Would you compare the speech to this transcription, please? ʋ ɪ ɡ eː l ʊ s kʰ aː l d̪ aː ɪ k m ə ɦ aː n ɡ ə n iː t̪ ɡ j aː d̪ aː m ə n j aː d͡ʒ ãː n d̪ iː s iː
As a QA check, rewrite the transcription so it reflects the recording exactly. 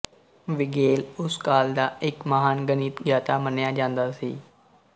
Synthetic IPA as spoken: ʋ ɪ ɡ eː l ʊ s k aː l d̪ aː ɪ k m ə ɦ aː n ɡ ə n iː t̪ ɡ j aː t̪ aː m ə n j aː d͡ʒ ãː n d̪ aː s iː